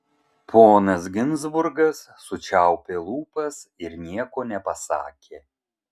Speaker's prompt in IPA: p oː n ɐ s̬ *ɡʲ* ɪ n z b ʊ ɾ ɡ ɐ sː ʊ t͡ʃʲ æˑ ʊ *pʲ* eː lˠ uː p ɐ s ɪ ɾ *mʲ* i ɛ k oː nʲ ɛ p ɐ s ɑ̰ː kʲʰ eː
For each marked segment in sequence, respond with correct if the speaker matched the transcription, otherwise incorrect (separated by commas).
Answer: correct, correct, incorrect